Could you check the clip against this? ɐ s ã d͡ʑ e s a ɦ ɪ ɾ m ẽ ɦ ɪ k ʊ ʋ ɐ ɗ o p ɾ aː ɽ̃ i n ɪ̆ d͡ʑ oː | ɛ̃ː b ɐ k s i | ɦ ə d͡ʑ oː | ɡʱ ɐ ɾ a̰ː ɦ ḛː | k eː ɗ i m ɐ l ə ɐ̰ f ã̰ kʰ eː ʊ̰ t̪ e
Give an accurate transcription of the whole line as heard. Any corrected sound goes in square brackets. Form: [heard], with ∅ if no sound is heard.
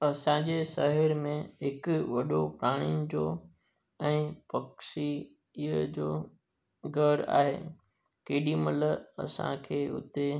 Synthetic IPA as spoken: ɐ s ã d͡ʑ e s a ɦ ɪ ɾ m ẽ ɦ ɪ k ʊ ʋ ɐ ɗ o p ɾ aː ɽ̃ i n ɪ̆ d͡ʑ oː | ɛ̃ː [p] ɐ k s i | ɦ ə d͡ʑ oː | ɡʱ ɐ ɾ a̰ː ɦ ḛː | k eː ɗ i m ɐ l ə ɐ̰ [s] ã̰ kʰ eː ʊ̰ t̪ e